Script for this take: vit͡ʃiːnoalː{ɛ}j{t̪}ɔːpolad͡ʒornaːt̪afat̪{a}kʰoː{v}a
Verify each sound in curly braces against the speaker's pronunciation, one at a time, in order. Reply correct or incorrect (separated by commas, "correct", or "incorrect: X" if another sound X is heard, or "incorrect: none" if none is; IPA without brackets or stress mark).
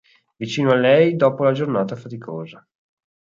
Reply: correct, incorrect: d̪, incorrect: i, incorrect: z